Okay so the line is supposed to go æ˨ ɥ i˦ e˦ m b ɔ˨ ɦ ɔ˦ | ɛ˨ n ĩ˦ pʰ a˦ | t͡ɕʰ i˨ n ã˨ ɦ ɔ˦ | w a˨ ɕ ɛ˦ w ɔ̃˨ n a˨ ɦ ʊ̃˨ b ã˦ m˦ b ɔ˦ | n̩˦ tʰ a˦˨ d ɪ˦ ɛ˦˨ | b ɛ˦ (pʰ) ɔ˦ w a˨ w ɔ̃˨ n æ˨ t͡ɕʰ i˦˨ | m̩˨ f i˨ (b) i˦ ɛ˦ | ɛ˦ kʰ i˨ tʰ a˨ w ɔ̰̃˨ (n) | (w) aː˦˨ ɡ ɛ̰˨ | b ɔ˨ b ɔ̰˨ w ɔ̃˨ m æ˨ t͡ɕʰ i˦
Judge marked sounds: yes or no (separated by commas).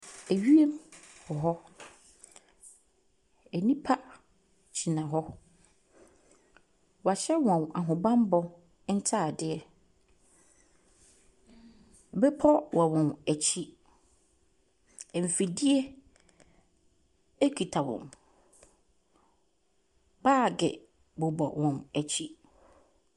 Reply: yes, no, no, no